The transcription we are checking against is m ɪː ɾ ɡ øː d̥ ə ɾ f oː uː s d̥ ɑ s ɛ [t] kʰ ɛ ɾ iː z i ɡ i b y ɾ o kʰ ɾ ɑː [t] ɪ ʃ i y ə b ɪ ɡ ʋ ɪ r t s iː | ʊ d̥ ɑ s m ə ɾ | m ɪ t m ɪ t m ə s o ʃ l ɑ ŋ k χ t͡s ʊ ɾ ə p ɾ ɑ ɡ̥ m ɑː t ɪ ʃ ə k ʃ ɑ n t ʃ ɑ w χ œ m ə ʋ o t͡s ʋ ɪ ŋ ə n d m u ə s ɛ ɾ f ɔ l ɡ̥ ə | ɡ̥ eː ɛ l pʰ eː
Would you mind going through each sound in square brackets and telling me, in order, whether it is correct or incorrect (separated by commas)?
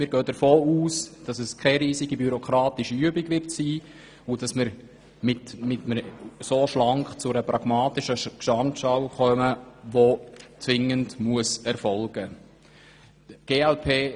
incorrect, correct